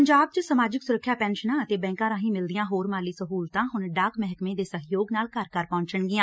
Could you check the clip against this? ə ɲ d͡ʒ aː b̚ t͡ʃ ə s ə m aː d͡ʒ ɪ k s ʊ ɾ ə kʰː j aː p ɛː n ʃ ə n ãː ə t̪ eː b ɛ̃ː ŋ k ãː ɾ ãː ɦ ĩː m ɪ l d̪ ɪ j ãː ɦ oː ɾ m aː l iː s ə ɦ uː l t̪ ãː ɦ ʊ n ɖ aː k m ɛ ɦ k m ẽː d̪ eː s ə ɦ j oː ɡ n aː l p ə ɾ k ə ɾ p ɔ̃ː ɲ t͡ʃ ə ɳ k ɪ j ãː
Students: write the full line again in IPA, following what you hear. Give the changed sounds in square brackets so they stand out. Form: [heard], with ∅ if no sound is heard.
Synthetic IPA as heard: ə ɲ d͡ʒ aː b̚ t͡ʃ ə s ə m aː d͡ʒ ɪ k s ʊ ɾ ə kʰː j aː p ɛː n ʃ ə n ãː ə t̪ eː b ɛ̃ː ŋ k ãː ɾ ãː ɦ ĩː m ɪ l d̪ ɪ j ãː ɦ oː ɾ m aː l iː s ə ɦ uː l t̪ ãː ɦ ʊ n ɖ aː k m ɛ ɦ k m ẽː d̪ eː s ə ɦ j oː ɡ n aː l [k] ə ɾ k ə ɾ p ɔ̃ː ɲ t͡ʃ ə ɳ [ɡ] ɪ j ãː